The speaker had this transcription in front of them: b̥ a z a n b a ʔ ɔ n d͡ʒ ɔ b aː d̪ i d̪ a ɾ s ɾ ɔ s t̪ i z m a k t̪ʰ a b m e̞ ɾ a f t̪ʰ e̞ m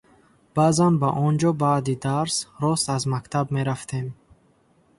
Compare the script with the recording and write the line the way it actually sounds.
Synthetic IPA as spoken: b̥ a z a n b a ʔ ɔ n d͡ʒ ɔ b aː d̪ i d̪ a ɾ s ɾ ɔ s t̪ a z m a k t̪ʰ a b m e̞ ɾ a f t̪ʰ e̞ m